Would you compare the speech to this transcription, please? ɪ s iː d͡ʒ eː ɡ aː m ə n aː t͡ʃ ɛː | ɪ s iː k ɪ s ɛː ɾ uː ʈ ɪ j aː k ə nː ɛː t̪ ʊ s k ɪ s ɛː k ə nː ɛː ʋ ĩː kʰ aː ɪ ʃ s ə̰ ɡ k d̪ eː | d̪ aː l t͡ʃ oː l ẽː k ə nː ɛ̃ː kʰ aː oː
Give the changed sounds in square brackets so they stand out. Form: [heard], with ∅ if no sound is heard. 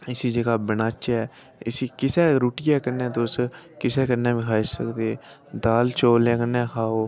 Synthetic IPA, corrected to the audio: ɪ s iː d͡ʒ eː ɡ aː [b] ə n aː t͡ʃ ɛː | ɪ s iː k ɪ s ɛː ɾ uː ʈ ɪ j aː k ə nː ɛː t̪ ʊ s k ɪ s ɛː k ə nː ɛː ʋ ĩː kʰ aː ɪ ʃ s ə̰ [∅] k d̪ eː | d̪ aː l t͡ʃ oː l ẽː k ə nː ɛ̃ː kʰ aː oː